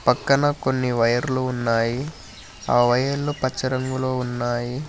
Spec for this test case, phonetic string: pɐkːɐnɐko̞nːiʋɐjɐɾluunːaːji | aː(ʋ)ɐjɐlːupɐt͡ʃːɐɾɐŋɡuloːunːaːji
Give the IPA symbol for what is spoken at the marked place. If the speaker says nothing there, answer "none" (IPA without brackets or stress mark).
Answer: ʋ